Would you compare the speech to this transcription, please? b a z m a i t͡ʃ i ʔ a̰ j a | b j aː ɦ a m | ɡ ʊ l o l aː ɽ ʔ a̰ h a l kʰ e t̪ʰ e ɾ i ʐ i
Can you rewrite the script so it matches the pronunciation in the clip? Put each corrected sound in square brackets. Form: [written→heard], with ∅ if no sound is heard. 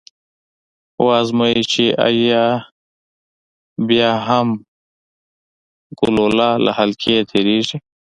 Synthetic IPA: [b→w] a z m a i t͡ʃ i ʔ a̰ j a | b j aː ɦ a m | ɡ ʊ l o l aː [ɽ→l] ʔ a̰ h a l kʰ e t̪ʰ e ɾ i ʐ i